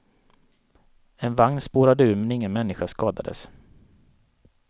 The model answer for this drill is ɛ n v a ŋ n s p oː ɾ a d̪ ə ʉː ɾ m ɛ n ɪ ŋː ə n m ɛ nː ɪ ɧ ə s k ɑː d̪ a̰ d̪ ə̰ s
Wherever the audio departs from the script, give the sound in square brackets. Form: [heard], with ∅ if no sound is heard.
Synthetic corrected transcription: ɛ n v a ŋ n s p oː ɾ a d̪ ə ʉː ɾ m ɛ n ɪ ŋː ə n m ɛ nː ɪ ɧ [a] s k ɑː d̪ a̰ d̪ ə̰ s